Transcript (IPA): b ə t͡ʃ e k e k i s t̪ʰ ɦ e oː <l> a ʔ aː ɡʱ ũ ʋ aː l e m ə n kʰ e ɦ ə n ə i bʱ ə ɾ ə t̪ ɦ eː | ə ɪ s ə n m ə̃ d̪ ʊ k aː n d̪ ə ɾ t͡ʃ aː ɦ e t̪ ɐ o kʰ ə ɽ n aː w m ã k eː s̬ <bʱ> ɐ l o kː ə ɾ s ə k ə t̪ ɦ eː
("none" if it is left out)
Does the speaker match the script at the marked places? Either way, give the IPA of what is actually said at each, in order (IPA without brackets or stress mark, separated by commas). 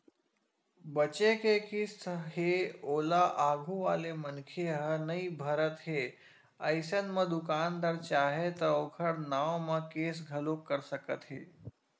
l, ɡʱ